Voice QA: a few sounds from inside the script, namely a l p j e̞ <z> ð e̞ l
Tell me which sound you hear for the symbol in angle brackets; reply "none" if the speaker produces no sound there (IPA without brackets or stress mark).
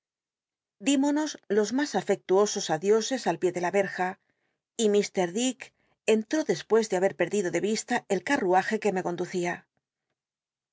none